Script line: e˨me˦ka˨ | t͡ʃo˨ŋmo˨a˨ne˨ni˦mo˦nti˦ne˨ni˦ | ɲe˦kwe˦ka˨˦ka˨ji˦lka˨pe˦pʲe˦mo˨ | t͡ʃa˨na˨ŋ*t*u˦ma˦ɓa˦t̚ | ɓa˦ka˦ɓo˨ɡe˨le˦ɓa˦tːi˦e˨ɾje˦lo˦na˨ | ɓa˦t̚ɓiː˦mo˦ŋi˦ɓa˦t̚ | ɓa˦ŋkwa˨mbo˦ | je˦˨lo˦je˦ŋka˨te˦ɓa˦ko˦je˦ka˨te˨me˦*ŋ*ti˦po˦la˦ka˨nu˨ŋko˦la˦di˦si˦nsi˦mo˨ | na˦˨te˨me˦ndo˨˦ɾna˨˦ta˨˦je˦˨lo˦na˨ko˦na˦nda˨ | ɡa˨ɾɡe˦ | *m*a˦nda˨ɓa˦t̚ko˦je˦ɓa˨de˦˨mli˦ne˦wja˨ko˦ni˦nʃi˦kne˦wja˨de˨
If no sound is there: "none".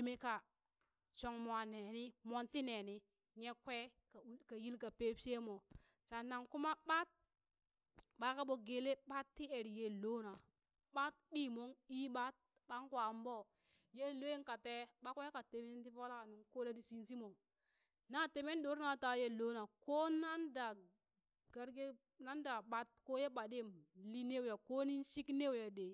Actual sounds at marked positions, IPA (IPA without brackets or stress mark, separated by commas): k, n, n